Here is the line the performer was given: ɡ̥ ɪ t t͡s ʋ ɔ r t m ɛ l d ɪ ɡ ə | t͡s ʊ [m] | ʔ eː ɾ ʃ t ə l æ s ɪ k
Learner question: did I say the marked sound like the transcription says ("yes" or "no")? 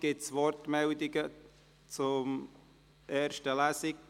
yes